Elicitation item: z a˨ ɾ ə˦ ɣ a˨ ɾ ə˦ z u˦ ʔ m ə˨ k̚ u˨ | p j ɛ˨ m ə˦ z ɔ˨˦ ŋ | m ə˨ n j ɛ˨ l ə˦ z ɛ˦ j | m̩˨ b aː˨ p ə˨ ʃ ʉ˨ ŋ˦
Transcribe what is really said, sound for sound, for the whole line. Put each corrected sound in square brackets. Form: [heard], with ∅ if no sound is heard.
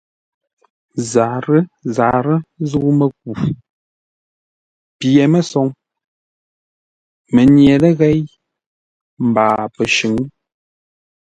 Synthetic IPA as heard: z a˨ ɾ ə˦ [z] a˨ ɾ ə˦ z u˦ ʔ m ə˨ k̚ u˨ | p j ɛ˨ m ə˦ [s] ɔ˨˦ ŋ | m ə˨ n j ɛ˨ l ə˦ [ɣ] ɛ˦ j | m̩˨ b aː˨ p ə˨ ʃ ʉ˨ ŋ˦